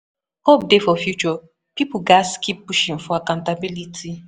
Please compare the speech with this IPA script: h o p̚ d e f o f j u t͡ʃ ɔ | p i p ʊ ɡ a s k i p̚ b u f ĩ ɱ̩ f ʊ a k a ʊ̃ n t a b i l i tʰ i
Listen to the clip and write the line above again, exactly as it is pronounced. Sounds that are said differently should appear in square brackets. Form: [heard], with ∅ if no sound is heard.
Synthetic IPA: h o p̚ d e f [ɔ] f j u t͡ʃ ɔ | p i p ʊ ɡ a s k i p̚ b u [ʃ] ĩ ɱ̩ f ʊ a k a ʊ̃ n t a b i l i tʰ i